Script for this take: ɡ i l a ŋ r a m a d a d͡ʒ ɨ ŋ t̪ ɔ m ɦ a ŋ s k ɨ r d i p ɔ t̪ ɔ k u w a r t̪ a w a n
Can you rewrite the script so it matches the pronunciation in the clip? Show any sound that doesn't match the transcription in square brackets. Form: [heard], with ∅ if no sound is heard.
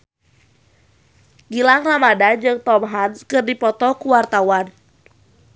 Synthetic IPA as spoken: ɡ i l a ŋ r a m a d a d͡ʒ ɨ ŋ t̪ ɔ m ɦ a [n] s k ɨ r d i p ɔ t̪ ɔ k u w a r t̪ a w a n